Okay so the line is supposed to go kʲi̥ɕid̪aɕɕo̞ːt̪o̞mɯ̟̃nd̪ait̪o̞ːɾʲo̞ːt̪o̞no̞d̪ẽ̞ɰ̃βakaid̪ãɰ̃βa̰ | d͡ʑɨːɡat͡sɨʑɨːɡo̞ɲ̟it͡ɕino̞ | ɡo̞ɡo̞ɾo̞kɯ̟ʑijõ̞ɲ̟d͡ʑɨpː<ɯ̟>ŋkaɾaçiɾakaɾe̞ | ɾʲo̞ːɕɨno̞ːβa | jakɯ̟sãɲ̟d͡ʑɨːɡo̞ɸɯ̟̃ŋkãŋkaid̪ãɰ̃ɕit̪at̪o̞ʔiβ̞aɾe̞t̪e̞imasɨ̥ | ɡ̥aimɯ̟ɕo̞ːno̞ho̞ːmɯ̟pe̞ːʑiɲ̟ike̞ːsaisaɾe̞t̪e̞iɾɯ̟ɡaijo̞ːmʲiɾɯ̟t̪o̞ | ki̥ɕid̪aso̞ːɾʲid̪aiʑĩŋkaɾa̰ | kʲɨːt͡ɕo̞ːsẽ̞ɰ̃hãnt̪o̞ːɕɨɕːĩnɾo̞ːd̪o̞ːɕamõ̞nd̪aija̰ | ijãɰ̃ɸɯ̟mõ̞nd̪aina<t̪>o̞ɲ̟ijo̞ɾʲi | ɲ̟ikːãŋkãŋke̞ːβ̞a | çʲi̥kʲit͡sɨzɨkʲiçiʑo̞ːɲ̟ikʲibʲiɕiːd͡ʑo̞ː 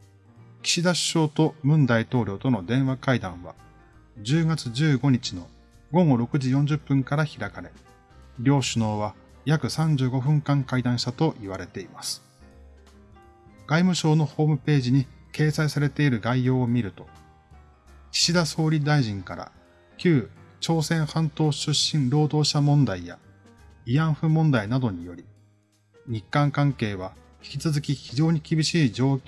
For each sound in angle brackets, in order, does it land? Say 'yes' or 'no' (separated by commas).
no, no